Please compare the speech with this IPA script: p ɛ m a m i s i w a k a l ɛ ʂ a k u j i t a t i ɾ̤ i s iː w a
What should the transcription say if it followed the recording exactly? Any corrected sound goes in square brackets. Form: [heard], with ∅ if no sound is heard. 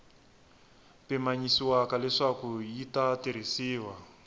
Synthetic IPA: p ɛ m a [ɲ] i s i w a k a l ɛ ʂ a k u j i t a t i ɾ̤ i s iː w a